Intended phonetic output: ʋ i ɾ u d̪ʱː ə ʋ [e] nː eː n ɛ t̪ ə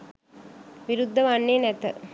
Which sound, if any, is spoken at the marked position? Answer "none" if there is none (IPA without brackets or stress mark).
a